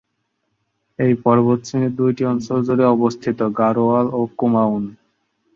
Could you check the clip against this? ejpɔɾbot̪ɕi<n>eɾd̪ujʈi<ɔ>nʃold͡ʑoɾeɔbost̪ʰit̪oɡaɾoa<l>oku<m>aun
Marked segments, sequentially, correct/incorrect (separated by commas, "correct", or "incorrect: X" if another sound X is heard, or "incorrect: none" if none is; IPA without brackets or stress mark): correct, correct, correct, correct